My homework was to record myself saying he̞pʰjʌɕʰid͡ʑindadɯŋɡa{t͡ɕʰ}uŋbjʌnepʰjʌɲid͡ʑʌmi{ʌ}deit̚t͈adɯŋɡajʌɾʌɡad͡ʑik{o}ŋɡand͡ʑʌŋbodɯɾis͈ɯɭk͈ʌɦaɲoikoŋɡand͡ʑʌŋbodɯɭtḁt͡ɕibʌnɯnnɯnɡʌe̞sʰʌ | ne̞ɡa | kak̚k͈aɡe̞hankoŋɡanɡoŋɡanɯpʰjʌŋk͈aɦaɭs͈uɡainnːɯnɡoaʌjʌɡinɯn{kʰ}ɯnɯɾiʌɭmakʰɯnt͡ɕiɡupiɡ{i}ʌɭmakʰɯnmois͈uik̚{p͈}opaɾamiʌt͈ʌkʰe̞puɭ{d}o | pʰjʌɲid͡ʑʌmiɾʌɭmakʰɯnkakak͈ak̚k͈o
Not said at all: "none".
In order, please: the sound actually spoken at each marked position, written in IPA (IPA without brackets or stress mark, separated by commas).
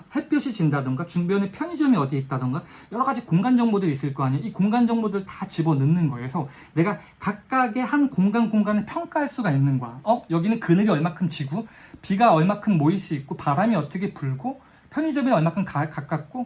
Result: t͡ɕ, ʌ, o, k, a, k͈, ɡ